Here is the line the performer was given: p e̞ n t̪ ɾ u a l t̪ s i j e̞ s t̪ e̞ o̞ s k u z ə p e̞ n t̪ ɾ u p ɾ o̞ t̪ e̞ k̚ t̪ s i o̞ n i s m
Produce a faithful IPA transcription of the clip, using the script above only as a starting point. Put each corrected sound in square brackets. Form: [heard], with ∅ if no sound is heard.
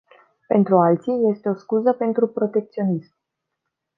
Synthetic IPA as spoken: p e̞ n t̪ ɾ u a l t̪ s i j e̞ s t̪ e̞ o̞ s k u z ə p e̞ n t̪ ɾ u p ɾ o̞ t̪ e̞ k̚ t̪ s i o̞ n i s m